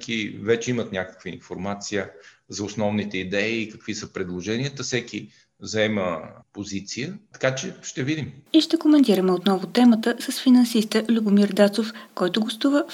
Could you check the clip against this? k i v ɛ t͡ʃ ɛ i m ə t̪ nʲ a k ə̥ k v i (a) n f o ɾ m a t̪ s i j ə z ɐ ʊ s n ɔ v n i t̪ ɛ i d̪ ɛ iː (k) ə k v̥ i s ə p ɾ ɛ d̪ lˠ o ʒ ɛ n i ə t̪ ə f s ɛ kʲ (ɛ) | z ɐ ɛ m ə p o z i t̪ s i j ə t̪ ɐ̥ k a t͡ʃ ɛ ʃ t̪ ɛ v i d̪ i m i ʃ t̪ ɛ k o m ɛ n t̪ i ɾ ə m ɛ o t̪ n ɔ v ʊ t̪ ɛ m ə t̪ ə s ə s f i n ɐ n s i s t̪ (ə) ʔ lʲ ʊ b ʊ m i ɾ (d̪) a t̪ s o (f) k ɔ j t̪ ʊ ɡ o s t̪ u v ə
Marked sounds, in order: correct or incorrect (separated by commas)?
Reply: incorrect, correct, incorrect, correct, correct, correct